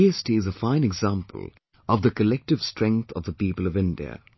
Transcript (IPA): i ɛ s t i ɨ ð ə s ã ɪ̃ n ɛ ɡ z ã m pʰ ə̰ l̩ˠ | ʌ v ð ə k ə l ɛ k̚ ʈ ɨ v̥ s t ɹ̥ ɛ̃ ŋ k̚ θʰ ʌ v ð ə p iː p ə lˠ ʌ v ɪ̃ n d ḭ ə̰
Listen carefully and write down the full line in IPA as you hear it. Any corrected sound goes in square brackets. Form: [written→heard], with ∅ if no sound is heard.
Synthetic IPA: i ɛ s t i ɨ [ð→z] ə [s→f] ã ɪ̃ n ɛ ɡ z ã m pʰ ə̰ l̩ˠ | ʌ v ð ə k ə l ɛ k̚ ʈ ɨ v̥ s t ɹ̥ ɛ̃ ŋ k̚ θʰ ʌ v ð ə p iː p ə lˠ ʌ v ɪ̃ n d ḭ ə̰